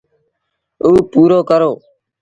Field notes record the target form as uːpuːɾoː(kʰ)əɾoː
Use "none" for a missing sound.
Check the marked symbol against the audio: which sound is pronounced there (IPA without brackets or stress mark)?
k